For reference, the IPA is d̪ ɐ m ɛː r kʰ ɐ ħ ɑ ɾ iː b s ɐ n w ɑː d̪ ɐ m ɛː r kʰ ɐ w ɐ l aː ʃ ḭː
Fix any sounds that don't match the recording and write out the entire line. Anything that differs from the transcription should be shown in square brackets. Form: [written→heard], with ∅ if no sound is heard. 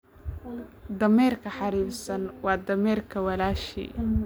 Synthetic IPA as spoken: d̪ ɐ m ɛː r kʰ ɐ ħ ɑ ɾ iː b s ɐ n w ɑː d̪ ɐ m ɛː r kʰ ɐ w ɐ l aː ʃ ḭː